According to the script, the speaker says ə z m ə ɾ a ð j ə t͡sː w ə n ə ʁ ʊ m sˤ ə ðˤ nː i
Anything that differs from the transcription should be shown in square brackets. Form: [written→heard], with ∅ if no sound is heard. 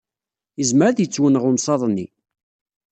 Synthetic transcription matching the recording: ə z m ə ɾ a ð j ə t͡sː w ə n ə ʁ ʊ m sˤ [ə→ɑ] ðˤ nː i